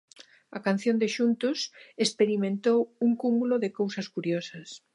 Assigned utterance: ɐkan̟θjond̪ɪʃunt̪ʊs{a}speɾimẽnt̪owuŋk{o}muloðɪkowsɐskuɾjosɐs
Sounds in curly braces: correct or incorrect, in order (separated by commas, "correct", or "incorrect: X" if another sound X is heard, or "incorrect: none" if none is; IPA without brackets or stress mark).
incorrect: e, incorrect: u